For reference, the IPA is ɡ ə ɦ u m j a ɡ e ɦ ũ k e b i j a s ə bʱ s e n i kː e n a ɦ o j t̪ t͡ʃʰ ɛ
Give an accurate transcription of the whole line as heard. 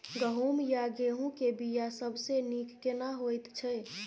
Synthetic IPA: ɡ ə ɦ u m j a ɡ e ɦ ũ k e b i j a s ə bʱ s e n i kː e n a ɦ o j t̪ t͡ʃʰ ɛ